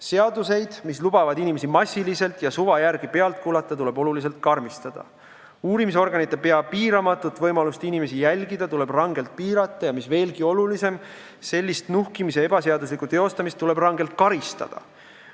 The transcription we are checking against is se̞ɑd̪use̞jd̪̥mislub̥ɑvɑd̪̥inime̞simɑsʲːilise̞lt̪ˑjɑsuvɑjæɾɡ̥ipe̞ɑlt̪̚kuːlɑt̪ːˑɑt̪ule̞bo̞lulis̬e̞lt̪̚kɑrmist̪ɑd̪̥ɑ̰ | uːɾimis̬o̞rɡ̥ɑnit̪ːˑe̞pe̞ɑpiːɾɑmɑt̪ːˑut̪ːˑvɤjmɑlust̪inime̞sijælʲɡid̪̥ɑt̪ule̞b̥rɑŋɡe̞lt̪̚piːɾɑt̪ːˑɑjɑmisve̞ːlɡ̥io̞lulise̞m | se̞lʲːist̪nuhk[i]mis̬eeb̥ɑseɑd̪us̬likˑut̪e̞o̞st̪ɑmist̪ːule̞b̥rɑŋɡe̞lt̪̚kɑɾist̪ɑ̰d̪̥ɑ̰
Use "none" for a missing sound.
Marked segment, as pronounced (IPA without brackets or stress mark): i